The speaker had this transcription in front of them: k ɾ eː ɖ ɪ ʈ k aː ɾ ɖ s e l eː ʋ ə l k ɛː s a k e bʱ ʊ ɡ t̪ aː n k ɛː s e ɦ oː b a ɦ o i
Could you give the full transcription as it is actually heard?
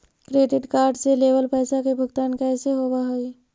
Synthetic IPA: k ɾ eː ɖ ɪ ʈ k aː ɾ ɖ s e l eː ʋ ə l p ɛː s a k e bʱ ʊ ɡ t̪ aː n k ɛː s e ɦ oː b a ɦ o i